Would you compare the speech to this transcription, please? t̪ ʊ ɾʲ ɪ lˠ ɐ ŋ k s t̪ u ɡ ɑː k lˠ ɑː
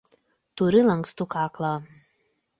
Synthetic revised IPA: t̪ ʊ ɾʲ ɪ lˠ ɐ ŋ k s t̪ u k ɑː k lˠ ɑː